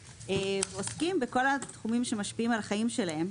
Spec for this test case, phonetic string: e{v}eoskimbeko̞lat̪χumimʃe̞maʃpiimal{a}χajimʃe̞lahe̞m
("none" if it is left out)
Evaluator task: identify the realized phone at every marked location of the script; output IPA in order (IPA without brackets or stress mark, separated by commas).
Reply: v, a